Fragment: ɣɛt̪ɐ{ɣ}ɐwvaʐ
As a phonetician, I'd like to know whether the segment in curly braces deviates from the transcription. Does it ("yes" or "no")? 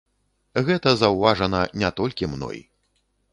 yes